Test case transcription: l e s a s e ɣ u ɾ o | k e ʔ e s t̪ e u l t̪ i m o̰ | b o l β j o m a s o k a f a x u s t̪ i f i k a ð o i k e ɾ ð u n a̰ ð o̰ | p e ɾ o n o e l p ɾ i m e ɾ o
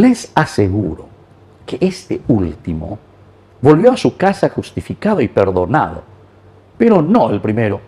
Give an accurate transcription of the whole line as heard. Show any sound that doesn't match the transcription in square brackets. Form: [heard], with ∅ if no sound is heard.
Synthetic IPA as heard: l e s a s e ɣ u ɾ o | k e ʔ e s t̪ e u l t̪ i m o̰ | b o l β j o [∅] a s [u] k a [s] a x u s t̪ i f i k a ð o i [p] e ɾ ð [o] n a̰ ð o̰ | p e ɾ o n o e l p ɾ i m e ɾ o

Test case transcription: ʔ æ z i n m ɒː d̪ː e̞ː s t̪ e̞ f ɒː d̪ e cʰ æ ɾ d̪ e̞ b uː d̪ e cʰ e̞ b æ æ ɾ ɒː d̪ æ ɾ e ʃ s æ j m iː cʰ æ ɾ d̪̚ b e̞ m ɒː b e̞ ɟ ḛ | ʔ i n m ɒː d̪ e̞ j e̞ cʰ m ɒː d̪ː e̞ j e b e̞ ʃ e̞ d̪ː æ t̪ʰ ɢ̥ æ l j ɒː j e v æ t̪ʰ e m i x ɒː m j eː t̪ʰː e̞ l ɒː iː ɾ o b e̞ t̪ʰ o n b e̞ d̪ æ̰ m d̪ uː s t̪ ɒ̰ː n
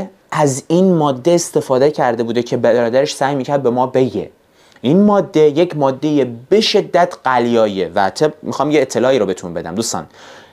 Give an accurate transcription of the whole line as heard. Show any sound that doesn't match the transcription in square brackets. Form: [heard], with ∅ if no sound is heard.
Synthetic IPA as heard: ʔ æ z i n m ɒː d̪ː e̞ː s t̪ e̞ f ɒː d̪ e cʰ æ ɾ d̪ e̞ b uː d̪ e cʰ e̞ b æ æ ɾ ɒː d̪ æ ɾ e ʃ s æ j m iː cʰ æ ɾ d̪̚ b e̞ m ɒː b e̞ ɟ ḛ | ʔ i n m ɒː [d̪ː] e̞ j e̞ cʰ m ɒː d̪ː e̞ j e b e̞ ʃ e̞ d̪ː æ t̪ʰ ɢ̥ æ l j ɒː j e v æ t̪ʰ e m i x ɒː m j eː t̪ʰː e̞ l ɒː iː ɾ o b e̞ t̪ʰ [u] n b e̞ d̪ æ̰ m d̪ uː s t̪ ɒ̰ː n

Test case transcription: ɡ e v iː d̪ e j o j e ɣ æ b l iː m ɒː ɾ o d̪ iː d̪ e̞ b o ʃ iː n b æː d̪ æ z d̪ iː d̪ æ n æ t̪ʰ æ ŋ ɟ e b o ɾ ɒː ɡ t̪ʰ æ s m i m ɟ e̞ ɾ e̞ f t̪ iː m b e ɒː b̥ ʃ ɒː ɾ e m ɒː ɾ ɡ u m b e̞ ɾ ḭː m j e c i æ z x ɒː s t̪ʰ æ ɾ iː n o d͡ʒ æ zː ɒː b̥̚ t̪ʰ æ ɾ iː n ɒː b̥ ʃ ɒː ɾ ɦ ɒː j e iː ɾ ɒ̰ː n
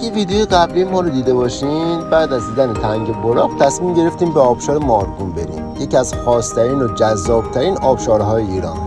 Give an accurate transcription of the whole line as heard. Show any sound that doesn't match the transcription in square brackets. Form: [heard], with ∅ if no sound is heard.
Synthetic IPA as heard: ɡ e v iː d̪ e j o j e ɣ æ b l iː m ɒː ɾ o d̪ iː d̪ e̞ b [ɒ] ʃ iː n b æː d̪ æ z d̪ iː d̪ æ n [e] t̪ʰ æ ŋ ɟ e b o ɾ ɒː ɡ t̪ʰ æ s m i m ɟ e̞ ɾ e̞ f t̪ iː m b e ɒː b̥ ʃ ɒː ɾ e m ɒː ɾ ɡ u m b e̞ ɾ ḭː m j e c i æ z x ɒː s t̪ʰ æ ɾ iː n o d͡ʒ æ zː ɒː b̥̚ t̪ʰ æ ɾ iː n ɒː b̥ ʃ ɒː ɾ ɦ ɒː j e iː ɾ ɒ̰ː n

